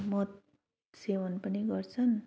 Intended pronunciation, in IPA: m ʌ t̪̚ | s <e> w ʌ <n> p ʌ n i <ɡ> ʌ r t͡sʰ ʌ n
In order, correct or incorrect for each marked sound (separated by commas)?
correct, correct, correct